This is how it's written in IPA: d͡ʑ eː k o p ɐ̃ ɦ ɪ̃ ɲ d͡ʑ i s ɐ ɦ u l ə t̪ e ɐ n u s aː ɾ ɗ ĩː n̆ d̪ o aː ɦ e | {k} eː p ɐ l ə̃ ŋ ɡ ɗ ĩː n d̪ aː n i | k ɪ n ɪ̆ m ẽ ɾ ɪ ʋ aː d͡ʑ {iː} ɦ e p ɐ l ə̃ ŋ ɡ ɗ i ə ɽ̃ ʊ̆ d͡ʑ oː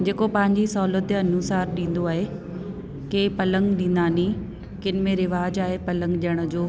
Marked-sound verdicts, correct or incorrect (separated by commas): correct, incorrect